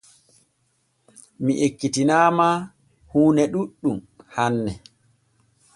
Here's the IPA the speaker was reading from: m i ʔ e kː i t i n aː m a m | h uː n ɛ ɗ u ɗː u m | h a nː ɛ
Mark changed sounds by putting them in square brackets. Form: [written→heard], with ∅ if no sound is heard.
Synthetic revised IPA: m i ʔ e kː i t i n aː m a [m→∅] | h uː n ɛ ɗ u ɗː u m | h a nː ɛ